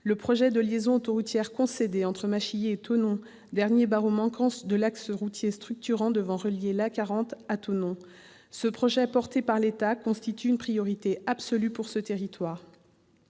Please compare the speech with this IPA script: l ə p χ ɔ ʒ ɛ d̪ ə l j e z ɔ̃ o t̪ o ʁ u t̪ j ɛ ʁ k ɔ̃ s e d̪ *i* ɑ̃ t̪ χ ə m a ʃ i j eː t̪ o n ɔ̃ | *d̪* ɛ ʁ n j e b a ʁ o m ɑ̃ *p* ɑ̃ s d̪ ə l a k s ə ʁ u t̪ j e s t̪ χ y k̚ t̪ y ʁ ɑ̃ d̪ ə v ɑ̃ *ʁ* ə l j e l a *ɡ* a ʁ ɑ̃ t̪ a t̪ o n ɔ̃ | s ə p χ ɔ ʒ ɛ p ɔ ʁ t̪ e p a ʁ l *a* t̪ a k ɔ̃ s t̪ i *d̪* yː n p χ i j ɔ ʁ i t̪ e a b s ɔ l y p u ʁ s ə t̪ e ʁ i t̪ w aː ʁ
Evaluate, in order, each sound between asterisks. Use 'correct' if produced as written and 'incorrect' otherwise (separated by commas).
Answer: incorrect, correct, incorrect, correct, incorrect, incorrect, incorrect